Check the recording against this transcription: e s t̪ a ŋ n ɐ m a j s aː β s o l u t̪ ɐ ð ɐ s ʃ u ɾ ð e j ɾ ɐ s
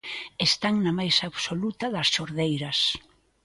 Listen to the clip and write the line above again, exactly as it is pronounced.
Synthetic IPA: e s t̪ a ŋ n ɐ m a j s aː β s o l u t̪ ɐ ð ɐ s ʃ o ɾ ð e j ɾ ɐ s